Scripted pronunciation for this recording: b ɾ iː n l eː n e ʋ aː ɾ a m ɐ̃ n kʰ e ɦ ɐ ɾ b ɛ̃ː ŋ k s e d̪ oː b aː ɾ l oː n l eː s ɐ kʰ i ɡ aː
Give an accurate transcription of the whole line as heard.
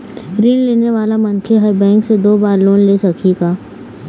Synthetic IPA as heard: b ɾ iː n l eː n e ʋ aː l a m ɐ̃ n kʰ e ɦ ɐ ɾ b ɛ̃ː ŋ k s e d̪ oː b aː ɾ l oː n l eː s ɐ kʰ i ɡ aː